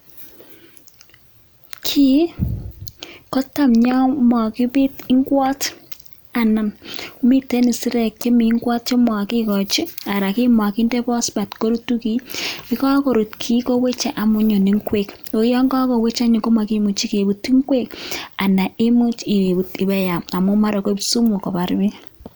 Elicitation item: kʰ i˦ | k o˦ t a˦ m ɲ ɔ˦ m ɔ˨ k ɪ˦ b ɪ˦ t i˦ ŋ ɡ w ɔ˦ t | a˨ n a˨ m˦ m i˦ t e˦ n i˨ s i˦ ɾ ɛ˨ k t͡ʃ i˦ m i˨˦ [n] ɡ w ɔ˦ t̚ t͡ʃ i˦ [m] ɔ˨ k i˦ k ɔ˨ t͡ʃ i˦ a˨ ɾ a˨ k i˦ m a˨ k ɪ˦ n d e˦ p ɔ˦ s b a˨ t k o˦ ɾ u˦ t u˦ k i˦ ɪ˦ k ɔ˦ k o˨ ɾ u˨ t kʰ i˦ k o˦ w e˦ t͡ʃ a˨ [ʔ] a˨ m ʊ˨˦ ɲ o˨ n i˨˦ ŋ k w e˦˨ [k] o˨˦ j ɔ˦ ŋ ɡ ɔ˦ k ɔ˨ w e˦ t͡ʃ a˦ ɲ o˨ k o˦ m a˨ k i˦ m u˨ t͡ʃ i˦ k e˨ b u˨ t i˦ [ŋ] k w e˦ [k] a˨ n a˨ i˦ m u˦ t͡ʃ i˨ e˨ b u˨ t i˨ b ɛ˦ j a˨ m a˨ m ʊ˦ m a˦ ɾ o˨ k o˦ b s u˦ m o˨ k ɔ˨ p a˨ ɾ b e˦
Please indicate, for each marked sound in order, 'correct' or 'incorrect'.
incorrect: ŋ, correct, correct, correct, correct, correct

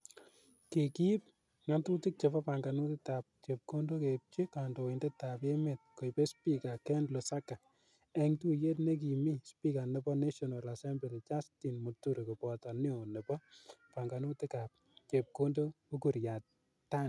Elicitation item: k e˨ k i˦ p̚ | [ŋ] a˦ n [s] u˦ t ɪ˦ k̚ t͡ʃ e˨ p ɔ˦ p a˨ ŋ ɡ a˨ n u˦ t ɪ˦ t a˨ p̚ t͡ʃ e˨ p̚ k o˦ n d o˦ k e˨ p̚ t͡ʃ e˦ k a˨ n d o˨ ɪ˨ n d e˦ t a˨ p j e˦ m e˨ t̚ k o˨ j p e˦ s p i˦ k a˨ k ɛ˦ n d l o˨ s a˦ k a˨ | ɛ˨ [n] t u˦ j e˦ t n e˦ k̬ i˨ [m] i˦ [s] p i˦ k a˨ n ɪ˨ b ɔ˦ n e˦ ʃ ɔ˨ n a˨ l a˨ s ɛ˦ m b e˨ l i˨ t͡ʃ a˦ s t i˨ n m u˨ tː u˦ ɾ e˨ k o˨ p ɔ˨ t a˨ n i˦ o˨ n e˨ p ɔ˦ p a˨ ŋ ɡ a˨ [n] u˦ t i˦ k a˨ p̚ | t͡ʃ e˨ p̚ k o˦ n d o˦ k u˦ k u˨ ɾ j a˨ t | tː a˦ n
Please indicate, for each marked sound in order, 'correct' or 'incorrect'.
correct, incorrect: t, incorrect: ŋ, correct, correct, correct

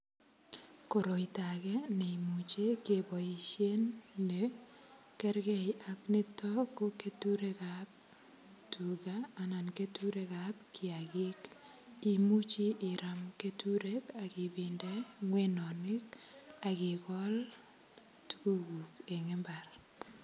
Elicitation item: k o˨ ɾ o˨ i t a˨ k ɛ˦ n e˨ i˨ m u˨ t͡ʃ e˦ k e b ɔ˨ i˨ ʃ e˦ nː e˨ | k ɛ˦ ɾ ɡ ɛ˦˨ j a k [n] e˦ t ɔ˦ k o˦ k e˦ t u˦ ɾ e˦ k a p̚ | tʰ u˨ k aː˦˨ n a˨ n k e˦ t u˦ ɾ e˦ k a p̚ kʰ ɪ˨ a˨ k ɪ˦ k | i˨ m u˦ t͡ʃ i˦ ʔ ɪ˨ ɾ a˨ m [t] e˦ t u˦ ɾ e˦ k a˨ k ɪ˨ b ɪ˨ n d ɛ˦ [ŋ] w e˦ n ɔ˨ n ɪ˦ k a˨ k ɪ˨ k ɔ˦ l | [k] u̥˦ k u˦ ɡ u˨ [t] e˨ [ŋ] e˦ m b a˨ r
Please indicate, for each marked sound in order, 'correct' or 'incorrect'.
correct, incorrect: k, correct, incorrect: t, incorrect: k, correct

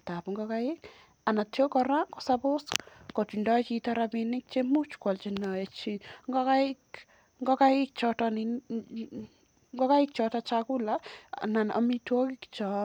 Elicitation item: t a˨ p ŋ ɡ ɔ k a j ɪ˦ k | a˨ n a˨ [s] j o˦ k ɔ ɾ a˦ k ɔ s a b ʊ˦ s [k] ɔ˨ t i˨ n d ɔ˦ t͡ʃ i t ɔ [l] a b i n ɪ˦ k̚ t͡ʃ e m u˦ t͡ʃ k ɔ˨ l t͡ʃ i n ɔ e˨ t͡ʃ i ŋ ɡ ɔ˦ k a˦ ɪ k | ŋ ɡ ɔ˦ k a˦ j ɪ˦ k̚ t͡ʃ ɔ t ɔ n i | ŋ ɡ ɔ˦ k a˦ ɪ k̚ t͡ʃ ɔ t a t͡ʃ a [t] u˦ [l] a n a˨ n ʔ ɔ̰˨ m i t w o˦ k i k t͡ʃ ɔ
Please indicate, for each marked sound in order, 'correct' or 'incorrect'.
incorrect: t, correct, incorrect: ɾ, incorrect: k, correct

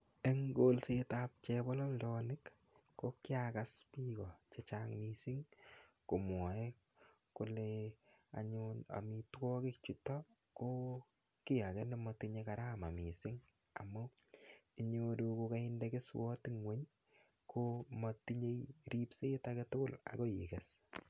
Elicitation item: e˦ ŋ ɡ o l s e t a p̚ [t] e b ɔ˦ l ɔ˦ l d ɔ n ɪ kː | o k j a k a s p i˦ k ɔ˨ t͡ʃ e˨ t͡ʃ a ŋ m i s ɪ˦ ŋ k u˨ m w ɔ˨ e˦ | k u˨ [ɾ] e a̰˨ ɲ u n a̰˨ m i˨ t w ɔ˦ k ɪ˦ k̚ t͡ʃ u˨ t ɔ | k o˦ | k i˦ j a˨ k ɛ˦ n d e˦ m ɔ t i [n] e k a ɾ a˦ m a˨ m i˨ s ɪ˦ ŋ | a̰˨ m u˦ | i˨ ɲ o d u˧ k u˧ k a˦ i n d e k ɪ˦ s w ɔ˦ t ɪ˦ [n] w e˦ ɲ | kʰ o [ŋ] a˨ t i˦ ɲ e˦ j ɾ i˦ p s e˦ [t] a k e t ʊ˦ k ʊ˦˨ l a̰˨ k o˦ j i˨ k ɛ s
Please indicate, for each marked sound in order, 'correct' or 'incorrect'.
incorrect: t͡ʃ, incorrect: l, incorrect: ɲ, incorrect: ŋ, incorrect: m, correct

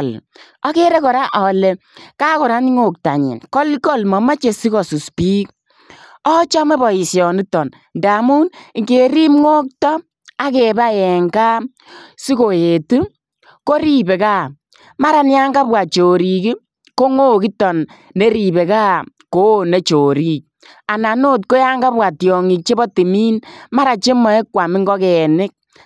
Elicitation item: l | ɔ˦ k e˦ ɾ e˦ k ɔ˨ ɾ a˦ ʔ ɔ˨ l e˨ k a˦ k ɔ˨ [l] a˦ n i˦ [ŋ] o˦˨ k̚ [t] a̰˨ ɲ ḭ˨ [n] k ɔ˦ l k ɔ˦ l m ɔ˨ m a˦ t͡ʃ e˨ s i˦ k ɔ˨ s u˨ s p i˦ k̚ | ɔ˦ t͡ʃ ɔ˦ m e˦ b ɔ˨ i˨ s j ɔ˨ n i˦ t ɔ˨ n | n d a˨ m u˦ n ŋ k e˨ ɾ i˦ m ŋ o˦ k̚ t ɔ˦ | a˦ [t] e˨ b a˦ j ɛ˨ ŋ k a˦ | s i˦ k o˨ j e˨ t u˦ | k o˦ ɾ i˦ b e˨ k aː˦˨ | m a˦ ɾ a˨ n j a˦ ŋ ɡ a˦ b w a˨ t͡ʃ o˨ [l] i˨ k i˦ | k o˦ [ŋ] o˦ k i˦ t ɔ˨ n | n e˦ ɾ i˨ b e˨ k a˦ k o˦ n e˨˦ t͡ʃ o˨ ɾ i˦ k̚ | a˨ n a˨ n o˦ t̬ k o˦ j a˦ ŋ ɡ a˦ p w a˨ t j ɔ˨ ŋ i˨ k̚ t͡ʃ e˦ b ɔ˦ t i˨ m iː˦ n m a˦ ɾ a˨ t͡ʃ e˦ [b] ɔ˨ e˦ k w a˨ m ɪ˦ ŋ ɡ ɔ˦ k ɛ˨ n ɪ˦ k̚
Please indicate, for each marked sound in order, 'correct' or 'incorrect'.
incorrect: ɾ, correct, correct, correct, incorrect: k, incorrect: ɾ, correct, incorrect: m

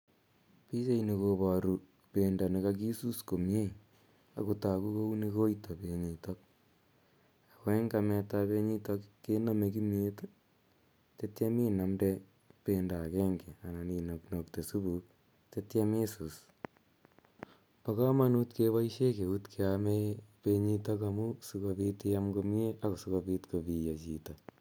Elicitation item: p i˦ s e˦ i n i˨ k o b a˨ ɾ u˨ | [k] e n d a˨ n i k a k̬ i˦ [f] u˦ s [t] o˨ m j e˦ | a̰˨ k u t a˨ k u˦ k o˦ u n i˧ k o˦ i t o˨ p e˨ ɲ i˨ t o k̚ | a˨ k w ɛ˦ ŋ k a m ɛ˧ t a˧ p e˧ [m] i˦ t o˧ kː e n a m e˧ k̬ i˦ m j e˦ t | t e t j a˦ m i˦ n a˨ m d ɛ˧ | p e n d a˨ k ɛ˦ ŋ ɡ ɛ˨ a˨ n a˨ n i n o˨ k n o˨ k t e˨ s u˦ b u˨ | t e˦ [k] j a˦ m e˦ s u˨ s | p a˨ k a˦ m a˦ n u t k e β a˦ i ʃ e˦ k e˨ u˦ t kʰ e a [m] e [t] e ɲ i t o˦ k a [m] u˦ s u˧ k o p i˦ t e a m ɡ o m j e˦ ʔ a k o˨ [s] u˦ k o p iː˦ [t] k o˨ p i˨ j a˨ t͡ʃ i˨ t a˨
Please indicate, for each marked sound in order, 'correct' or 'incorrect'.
incorrect: p, incorrect: s, incorrect: k, incorrect: ɲ, incorrect: t, correct, incorrect: p, correct, correct, correct

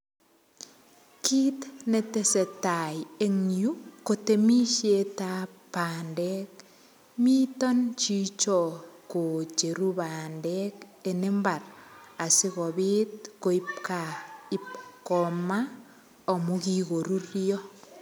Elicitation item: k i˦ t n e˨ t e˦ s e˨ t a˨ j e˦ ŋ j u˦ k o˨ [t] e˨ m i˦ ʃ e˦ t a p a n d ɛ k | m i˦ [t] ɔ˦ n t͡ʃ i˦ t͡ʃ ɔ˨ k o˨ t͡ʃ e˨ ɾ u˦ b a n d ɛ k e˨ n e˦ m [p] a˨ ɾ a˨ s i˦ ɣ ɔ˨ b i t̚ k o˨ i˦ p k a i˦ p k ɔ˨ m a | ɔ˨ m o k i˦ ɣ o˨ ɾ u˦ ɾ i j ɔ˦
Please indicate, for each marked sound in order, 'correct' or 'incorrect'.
correct, correct, incorrect: b

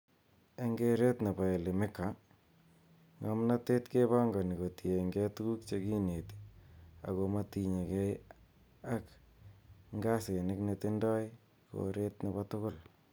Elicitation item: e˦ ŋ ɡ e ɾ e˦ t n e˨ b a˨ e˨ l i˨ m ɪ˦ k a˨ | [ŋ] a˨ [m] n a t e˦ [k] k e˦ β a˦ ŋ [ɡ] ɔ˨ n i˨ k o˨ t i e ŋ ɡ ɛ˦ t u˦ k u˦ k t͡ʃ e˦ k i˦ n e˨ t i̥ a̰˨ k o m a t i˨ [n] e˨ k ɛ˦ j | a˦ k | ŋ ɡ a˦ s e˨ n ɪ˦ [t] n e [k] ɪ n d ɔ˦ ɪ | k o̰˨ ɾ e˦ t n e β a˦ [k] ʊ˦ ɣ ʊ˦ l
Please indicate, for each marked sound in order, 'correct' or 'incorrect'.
correct, correct, incorrect: t, correct, incorrect: ɲ, incorrect: k, incorrect: t, incorrect: t

